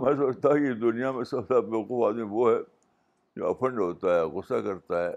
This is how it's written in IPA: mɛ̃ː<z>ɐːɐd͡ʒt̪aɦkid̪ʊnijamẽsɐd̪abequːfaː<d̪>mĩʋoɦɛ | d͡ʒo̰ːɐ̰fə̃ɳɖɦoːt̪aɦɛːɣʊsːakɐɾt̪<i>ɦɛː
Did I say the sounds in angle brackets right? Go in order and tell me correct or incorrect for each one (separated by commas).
incorrect, correct, incorrect